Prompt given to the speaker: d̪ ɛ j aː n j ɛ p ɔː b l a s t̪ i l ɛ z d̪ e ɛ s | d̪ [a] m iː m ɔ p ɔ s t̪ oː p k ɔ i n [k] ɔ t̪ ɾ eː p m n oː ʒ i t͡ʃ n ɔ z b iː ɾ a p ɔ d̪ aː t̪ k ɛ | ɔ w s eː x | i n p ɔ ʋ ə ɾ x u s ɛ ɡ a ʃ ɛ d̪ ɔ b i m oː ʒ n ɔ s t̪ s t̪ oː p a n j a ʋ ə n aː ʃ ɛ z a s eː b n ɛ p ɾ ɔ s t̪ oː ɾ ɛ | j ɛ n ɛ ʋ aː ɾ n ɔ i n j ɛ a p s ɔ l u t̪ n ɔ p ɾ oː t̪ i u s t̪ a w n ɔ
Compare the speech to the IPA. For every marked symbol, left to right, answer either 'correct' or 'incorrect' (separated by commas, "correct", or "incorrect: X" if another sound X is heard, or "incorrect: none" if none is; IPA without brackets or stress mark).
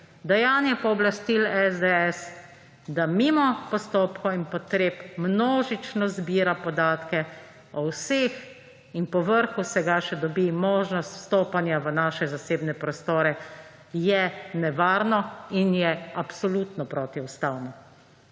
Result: correct, incorrect: p